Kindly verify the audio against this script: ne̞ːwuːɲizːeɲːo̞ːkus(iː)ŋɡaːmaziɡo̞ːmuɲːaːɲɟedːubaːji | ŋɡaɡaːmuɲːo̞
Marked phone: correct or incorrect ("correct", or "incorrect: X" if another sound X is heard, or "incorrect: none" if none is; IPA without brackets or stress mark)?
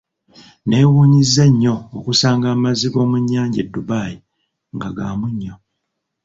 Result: incorrect: aː